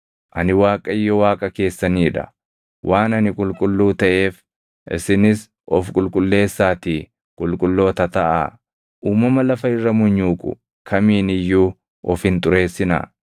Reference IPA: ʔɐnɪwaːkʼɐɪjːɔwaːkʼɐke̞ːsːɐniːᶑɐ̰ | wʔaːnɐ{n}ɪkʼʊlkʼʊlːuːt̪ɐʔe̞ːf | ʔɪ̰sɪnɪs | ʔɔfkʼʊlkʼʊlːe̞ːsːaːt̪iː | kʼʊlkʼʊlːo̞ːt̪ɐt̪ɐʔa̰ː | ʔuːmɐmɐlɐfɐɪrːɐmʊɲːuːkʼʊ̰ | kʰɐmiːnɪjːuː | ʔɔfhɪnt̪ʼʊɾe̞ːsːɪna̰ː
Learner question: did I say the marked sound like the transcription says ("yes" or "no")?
yes